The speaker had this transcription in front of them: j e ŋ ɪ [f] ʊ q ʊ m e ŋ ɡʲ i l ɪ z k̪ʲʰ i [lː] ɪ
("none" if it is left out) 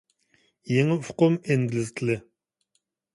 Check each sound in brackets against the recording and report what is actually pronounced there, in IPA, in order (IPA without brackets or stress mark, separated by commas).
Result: f, l